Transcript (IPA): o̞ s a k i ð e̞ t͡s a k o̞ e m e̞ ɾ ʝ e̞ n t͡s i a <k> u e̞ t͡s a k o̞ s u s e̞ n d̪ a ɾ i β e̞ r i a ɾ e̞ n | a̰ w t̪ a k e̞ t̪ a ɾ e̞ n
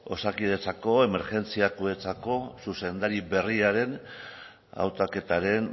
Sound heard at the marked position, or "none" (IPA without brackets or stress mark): k